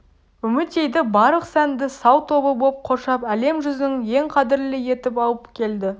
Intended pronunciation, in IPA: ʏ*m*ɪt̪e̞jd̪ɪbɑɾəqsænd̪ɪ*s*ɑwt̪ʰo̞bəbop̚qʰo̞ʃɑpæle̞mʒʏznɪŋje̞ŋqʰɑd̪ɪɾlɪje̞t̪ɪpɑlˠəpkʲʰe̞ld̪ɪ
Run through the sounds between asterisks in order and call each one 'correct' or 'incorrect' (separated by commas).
correct, correct